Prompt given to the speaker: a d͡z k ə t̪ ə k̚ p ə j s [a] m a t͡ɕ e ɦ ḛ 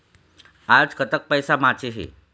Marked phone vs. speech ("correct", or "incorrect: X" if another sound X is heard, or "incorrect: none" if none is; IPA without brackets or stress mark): correct